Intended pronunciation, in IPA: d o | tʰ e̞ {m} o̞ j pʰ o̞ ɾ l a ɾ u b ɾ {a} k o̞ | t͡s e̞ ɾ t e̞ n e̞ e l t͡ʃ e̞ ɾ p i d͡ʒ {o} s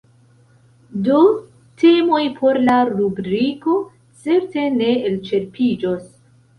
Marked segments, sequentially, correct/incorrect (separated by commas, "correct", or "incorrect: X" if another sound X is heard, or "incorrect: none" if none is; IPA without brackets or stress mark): correct, incorrect: i, correct